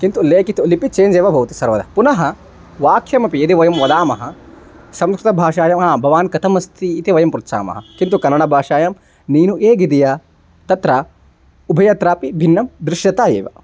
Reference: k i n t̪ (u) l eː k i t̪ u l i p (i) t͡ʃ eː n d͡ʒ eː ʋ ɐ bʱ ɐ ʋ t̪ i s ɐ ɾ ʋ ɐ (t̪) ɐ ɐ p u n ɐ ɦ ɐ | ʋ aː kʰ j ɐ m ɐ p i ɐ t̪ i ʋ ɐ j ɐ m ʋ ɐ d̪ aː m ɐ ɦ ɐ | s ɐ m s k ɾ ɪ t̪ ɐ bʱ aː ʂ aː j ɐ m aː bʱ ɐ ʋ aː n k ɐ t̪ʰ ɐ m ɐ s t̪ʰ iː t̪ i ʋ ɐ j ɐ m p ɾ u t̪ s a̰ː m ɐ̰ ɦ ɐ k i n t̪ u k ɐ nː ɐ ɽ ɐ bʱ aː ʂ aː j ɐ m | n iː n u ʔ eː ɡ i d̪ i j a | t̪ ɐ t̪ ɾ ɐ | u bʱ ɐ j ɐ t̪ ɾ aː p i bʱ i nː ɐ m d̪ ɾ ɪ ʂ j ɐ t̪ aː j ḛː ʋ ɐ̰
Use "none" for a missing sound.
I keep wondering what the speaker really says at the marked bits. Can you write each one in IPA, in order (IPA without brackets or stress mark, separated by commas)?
u, i, d̪